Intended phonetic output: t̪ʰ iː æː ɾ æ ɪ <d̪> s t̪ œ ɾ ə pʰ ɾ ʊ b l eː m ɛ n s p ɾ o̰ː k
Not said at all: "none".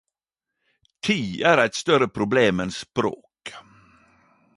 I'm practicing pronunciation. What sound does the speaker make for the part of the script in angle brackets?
t̪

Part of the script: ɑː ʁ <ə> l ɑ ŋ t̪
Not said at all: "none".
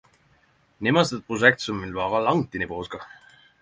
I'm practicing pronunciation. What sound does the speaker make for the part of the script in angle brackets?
ɑ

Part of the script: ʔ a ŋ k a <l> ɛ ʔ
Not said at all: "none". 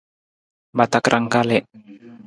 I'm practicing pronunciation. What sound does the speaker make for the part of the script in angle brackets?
l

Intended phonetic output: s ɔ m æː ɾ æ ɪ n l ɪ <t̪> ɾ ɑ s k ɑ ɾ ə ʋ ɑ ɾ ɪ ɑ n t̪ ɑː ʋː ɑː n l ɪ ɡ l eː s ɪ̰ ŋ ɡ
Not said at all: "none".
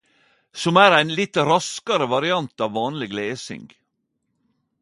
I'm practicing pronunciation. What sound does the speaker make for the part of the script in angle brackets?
t̪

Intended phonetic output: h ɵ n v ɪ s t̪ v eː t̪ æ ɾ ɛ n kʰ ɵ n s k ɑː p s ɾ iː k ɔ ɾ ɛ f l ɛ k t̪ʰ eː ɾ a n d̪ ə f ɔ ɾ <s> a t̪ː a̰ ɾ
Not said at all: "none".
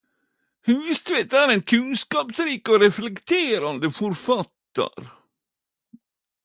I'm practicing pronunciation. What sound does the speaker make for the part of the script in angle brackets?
f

